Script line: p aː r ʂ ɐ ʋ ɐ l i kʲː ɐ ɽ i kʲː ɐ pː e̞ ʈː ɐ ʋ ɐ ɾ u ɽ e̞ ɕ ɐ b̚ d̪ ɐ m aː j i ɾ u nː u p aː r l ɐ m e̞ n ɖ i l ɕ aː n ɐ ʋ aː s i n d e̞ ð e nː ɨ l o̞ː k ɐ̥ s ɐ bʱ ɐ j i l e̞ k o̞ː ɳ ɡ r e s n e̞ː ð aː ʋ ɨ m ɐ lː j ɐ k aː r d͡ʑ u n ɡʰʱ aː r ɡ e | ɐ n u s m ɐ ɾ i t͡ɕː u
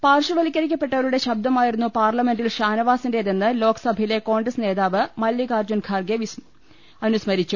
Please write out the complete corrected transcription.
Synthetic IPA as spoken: p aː r ʂ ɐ ʋ ɐ l i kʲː ɐ ɾ i kʲː ɐ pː e̞ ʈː ɐ ʋ ɐ ɾ u ɽ e̞ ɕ ɐ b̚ d̪ ɐ m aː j i ɾ u nː u p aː r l ɐ m e̞ n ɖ i l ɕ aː n ɐ ʋ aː s i n d e̞ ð e nː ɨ l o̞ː k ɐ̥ s ɐ bʱ ɐ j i l e̞ k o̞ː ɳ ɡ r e s n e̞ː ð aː ʋ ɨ m ɐ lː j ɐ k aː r d͡ʑ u n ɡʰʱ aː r ɡ e | ɐ n u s m ɐ ɾ i t͡ɕː u